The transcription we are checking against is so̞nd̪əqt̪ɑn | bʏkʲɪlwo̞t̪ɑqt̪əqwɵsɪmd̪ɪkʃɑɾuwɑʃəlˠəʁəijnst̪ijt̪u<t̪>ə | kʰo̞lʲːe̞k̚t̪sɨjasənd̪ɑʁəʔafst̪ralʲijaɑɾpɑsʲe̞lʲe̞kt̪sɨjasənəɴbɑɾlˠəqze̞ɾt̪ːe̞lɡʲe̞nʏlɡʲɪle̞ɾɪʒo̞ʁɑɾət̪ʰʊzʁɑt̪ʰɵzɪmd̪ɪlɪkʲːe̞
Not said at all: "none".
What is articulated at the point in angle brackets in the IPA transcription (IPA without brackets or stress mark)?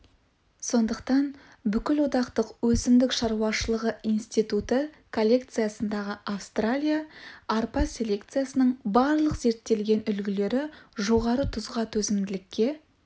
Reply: t̪